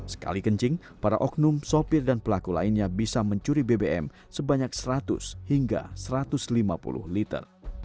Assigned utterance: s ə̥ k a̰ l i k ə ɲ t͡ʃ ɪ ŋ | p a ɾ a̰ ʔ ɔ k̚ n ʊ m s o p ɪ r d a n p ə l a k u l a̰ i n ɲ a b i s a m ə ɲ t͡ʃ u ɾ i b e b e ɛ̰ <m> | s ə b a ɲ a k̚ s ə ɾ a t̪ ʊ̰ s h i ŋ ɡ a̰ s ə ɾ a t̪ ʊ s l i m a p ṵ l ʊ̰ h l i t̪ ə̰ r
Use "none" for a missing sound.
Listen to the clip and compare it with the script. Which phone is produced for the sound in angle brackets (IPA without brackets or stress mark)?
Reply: m